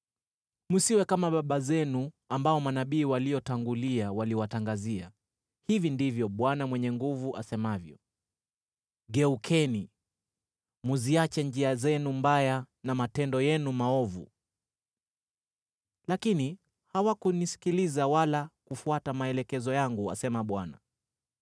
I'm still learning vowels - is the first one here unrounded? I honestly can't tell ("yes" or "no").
no